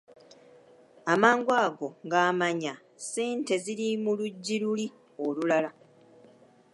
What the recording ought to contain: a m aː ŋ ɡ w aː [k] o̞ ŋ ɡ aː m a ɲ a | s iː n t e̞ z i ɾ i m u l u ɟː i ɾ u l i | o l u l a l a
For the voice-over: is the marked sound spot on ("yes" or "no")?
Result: no